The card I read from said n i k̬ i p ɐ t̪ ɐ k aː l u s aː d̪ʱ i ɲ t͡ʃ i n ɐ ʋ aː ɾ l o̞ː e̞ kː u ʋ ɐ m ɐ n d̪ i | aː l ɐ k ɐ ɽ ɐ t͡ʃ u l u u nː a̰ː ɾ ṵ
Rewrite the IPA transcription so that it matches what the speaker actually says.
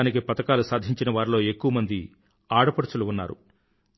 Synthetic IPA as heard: n i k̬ i p ɐ t̪ ɐ k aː l u s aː d̪ʱ i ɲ t͡ʃ i n ɐ ʋ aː ɾ l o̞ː e̞ kː u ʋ ɐ m ɐ n d̪ i | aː ɽ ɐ p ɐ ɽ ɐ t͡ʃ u l u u nː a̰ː ɾ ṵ